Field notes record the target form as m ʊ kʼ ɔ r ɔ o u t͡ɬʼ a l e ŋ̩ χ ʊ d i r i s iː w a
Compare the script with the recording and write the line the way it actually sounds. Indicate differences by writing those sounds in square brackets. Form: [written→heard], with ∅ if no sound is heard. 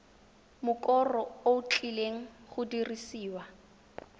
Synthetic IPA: m ʊ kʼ ɔ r ɔ o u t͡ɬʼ [a→i] l e ŋ̩ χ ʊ d i r i s iː w a